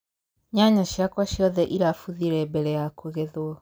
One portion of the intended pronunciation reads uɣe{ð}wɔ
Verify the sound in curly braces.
correct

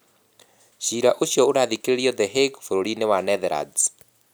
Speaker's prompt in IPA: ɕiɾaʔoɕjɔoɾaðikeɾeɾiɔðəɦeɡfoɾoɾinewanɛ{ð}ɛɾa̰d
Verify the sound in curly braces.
correct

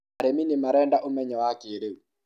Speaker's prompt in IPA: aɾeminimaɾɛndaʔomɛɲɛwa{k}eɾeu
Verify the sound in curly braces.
correct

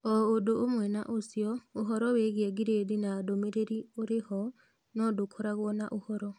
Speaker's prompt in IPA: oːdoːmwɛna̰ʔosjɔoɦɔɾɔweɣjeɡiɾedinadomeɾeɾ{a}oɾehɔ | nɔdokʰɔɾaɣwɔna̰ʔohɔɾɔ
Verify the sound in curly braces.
incorrect: i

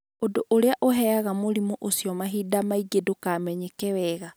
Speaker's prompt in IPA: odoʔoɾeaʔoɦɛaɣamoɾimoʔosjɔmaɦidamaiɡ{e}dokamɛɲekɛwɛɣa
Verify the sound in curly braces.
correct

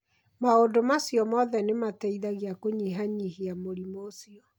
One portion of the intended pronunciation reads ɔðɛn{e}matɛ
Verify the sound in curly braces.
correct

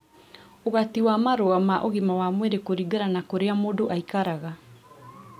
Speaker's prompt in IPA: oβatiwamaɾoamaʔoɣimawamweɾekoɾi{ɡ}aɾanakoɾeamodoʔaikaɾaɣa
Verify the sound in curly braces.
correct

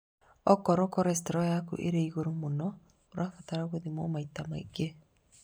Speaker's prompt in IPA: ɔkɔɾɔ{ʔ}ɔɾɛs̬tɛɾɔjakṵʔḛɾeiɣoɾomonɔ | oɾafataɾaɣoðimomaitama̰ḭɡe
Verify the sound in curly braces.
incorrect: k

